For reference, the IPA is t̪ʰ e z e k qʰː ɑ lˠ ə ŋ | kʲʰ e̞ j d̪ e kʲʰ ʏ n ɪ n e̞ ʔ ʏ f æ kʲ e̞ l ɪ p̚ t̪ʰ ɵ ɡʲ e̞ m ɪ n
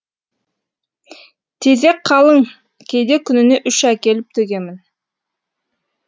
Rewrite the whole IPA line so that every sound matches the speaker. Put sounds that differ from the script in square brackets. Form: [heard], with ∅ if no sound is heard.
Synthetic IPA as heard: t̪ʰ e z e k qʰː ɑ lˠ ə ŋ | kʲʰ e̞ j d̪ e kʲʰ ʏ n ɪ n e̞ ʔ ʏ [ʃ] æ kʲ e̞ l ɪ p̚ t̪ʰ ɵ ɡʲ e̞ m ɪ n